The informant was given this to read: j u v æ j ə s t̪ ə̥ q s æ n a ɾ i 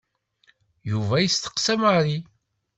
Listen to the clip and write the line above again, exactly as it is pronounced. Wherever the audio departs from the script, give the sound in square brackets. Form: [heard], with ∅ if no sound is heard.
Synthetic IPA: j u v æ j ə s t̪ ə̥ q s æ [m] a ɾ i

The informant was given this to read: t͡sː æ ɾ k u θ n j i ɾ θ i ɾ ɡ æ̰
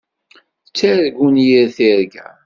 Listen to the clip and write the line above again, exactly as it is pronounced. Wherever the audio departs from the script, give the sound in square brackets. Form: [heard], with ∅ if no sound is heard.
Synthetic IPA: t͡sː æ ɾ [ɡ] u [∅] n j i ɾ θ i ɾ ɡ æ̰

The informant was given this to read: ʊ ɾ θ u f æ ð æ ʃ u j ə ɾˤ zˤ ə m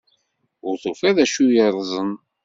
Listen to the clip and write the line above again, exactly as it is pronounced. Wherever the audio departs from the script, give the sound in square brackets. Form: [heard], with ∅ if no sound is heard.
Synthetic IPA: ʊ ɾ θ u f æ ð æ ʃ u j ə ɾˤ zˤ ə [n]

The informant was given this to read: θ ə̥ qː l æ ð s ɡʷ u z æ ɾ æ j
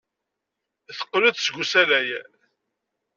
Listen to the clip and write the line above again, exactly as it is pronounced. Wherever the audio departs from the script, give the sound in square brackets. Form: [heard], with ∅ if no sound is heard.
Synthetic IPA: θ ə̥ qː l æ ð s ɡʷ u [s] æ [l] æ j

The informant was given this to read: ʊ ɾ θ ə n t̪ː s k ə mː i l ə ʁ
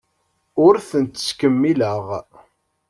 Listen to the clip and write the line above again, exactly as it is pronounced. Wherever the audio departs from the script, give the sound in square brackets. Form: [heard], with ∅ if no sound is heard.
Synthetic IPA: ʊ ɾ θ ə n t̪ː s k ə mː i l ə ʁ

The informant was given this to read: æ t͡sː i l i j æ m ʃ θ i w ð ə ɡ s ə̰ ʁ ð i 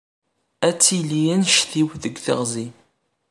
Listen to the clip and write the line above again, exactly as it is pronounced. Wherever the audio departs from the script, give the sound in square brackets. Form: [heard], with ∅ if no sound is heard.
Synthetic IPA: æ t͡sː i l i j æ [n] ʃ θ i w ð ə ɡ [θ] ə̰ ʁ [z] i

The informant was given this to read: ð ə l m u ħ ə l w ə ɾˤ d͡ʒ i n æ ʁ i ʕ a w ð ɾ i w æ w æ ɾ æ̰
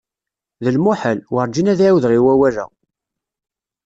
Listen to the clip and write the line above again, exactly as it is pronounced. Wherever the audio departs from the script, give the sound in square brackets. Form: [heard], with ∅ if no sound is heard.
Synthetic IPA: ð ə l m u ħ ə l w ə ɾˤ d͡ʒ i n æ [ð] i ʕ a w ð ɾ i w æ w æ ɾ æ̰

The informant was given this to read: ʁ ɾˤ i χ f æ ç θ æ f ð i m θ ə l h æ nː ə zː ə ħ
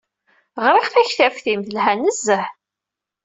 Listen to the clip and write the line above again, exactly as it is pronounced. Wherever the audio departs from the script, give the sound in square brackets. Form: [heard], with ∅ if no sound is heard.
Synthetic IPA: ʁ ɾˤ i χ [θ] æ ç θ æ f [θ] i m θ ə l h æ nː ə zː ə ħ

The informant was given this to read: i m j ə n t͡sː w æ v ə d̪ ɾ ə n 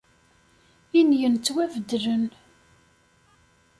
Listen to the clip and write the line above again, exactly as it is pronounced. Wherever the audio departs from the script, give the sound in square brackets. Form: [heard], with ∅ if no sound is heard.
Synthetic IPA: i [n] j ə n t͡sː w æ v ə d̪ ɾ ə n

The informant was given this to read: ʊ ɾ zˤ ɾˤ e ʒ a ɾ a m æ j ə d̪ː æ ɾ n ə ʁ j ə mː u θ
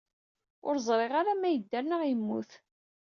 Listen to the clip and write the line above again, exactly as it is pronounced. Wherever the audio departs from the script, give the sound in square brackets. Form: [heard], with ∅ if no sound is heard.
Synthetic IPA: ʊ ɾ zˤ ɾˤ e [ʁ] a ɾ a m æ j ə d̪ː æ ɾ n ə ʁ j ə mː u θ

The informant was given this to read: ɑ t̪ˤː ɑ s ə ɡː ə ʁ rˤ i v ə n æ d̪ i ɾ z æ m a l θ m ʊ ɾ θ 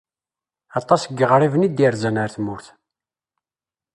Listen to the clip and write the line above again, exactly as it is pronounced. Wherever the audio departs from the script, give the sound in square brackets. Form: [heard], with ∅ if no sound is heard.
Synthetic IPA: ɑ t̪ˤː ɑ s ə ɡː ə ʁ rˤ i v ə n [i] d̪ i ɾ z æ [n] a [ɾ] θ m ʊ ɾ θ

